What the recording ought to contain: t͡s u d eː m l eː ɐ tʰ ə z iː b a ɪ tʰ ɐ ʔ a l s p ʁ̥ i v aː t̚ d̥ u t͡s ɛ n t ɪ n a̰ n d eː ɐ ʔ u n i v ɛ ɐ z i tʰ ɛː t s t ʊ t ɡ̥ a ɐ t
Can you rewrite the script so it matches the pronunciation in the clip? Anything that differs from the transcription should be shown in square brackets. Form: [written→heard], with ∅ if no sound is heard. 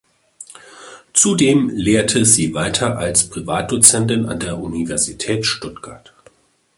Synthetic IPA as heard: t͡s u d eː m l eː ɐ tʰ ə z iː [b→v] a ɪ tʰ ɐ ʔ a l s p ʁ̥ i v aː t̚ d̥ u t͡s ɛ n t ɪ n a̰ n d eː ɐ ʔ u n i v ɛ ɐ z i tʰ ɛː t [s→ʃ] t ʊ t ɡ̥ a ɐ t